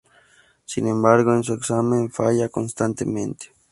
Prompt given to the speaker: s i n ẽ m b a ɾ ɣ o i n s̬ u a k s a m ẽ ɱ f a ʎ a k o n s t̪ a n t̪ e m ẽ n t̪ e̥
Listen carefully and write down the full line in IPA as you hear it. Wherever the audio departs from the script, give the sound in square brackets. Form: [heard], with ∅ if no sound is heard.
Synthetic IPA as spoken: s i n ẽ m b a ɾ ɣ o [e] n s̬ u [e] k s a m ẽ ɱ f a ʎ a k o n s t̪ a n t̪ e m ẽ n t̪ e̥